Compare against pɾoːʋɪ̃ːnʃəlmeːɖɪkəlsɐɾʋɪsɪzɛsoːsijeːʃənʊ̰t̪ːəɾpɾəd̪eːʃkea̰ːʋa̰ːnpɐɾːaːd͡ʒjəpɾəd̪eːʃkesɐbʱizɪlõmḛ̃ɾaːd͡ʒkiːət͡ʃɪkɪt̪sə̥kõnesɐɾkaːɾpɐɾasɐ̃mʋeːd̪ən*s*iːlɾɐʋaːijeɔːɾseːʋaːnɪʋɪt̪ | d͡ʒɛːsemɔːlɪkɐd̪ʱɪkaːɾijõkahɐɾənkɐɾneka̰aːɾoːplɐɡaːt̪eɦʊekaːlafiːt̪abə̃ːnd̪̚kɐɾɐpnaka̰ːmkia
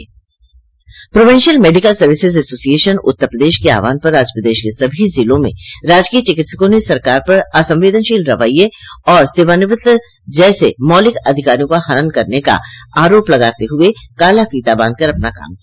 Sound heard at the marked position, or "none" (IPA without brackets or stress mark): ʃ